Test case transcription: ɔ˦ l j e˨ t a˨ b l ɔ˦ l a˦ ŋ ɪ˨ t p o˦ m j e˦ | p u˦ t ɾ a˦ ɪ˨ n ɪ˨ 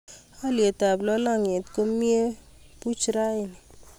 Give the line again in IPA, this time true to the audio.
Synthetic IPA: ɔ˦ l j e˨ t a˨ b l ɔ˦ l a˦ ŋ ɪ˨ t k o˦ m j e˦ | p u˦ t͡ʃ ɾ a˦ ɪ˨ n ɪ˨